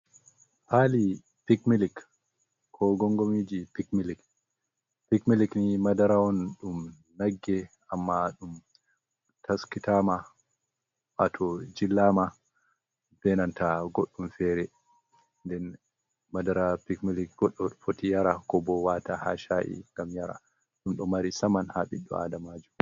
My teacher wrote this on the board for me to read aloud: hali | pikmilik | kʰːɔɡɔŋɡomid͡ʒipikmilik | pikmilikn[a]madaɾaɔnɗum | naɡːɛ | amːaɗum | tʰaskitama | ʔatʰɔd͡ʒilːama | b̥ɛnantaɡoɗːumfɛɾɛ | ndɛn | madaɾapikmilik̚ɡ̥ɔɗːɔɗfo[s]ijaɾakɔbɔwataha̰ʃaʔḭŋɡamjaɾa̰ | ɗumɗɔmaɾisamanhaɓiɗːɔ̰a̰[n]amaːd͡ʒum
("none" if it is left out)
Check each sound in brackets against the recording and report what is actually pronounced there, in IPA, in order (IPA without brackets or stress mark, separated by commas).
i, t, d